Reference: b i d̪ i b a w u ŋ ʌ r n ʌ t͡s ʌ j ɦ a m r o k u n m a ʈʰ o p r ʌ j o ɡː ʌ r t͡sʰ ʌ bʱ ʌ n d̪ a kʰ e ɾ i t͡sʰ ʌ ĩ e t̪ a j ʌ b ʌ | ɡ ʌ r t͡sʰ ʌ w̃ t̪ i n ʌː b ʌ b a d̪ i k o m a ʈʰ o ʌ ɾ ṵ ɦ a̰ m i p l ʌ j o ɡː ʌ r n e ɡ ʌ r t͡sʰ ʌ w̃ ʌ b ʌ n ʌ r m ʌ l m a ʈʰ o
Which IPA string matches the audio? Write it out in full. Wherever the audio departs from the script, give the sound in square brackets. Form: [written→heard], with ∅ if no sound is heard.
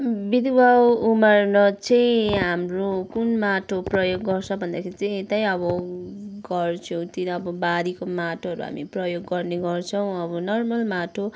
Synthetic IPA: b i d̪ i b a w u [ŋ→m] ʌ r n ʌ t͡s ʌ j ɦ a m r o k u n m a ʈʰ o p r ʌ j o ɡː ʌ r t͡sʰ ʌ bʱ ʌ n d̪ a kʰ e ɾ i [t͡sʰ→t͡s] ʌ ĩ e t̪ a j ʌ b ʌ | ɡ ʌ r t͡sʰ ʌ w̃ t̪ i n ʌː b ʌ b a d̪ i k o m a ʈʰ o ʌ ɾ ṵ ɦ a̰ m i p [l→r] ʌ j o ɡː ʌ r n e ɡ ʌ r t͡sʰ ʌ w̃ ʌ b ʌ n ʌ r m ʌ l m a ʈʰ o